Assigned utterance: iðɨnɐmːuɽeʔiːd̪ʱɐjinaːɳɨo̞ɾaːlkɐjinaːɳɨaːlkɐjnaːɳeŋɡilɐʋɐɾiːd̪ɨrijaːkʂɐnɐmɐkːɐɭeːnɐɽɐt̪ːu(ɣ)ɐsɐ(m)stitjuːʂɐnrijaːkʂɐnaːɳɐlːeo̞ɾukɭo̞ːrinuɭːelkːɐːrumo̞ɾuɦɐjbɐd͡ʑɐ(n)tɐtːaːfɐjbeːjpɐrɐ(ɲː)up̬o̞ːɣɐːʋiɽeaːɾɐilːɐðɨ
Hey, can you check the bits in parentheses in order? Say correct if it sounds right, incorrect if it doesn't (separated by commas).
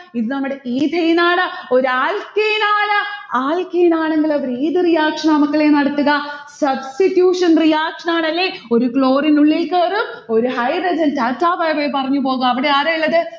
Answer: correct, incorrect, correct, correct